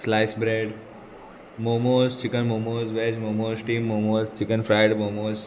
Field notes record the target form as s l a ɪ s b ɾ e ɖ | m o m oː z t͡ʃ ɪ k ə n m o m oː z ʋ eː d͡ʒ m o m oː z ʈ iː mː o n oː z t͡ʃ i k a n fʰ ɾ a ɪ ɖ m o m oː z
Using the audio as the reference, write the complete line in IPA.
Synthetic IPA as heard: s l a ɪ s b ɾ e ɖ | m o m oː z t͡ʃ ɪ k ə n m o m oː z ʋ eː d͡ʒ m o m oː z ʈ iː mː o m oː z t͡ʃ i k ə n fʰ ɾ a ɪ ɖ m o m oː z